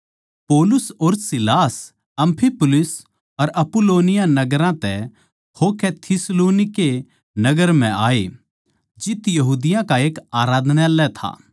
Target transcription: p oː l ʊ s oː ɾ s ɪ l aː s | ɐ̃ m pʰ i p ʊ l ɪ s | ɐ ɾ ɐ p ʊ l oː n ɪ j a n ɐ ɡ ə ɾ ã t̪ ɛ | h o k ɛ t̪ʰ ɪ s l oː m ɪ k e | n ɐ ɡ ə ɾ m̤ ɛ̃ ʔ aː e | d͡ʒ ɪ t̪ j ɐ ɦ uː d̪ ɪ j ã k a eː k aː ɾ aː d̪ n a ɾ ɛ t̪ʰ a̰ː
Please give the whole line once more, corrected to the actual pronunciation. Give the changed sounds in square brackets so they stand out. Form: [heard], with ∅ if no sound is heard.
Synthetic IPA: p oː l ʊ s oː ɾ s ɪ l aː s | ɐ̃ m pʰ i p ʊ l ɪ s | ɐ ɾ ɐ p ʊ l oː n ɪ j a n ɐ ɡ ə ɾ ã t̪ ɛ | h o k ɛ t̪ʰ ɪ s l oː [n] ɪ k e | n ɐ ɡ ə ɾ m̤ ɛ̃ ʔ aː e | d͡ʒ ɪ t̪ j ɐ ɦ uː d̪ ɪ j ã k a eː k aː ɾ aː d̪ n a [l] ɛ t̪ʰ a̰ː